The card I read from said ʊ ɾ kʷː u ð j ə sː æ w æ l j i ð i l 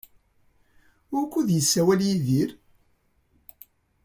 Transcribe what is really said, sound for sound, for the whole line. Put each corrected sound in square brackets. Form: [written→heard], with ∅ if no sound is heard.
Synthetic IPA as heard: ʊ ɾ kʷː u ð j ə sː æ w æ l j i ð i [l→ɾ]